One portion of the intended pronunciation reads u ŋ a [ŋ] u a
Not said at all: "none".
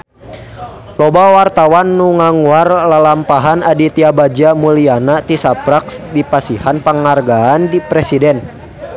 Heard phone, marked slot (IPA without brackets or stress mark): ŋ